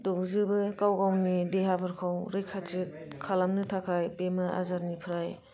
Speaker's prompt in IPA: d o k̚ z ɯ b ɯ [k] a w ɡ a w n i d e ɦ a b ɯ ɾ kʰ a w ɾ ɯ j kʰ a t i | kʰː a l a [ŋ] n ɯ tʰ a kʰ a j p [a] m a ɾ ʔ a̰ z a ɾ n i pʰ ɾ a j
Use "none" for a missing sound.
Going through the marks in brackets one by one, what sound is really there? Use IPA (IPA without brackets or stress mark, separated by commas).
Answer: k, m, e